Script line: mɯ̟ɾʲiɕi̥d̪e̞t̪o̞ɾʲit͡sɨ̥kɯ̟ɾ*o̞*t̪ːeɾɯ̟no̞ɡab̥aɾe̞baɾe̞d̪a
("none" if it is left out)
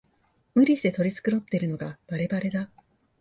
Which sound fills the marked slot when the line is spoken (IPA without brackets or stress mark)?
o̞